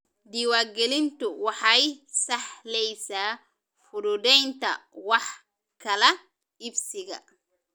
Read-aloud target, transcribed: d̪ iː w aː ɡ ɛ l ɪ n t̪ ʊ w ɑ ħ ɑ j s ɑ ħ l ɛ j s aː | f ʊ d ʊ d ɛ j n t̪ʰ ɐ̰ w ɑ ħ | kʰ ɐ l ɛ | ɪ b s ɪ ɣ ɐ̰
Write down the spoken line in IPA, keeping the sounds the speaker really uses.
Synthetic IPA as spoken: d̪ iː w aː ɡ ɛ l ɪ n t̪ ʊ w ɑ ħ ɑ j s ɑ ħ l ɛ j s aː | f ʊ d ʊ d ɛ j n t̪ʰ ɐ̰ w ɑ ħ | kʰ ɐ l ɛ | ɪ b s ɪ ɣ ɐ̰